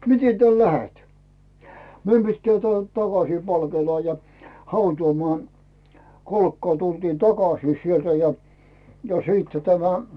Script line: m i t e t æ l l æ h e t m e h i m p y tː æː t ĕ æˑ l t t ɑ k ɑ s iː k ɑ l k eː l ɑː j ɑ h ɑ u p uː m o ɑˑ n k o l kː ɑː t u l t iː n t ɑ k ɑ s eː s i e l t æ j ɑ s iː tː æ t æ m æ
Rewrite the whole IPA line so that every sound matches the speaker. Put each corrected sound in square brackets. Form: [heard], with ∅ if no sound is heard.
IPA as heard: m i t e t æ l l æ h e t m e [∅] i m p [i] tː æː t ĕ æˑ l t t ɑ k ɑ s iː [p] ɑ l k eː l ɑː j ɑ h ɑ u [t] uː m o ɑˑ n k o l kː ɑː t u l t iː n t ɑ k ɑ s [iː] s i e l t æ j ɑ s iː tː æ t æ m æ